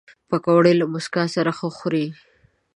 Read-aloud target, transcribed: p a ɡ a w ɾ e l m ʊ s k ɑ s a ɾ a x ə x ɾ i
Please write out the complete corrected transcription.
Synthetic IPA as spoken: p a k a w ɽ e l m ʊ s k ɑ s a ɾ a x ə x ɾ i